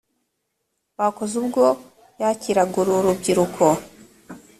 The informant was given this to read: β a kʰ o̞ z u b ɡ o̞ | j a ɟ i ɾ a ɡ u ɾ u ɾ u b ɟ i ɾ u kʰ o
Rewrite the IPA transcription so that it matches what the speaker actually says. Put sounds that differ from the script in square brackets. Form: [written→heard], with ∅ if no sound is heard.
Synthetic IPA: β a [kʰ→k] o̞ z u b ɡ o̞ | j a [ɟ→c] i ɾ a ɡ u ɾ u ɾ u b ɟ i ɾ u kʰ o